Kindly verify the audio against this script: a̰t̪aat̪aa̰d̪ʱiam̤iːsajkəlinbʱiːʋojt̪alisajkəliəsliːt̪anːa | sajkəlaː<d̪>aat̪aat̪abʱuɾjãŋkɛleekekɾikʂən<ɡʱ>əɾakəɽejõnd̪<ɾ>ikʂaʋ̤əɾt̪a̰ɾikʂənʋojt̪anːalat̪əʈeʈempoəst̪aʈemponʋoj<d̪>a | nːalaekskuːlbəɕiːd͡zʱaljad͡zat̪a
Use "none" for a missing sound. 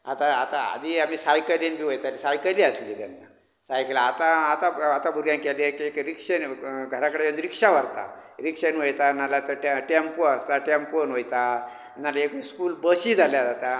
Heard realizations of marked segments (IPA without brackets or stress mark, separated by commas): t̪, ɡʱ, ɾ, t̪